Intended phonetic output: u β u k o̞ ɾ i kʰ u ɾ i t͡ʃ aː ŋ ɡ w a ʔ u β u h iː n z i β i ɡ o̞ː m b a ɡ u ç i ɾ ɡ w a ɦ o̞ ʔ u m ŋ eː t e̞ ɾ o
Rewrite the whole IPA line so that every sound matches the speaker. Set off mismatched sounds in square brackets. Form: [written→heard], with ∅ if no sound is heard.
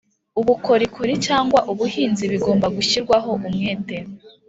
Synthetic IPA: u β u k o̞ ɾ i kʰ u ɾ i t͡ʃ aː ŋ ɡ w a ʔ u β u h iː n z i β i ɡ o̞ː m b a ɡ u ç i ɾ ɡ w a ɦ o̞ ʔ u m ŋ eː t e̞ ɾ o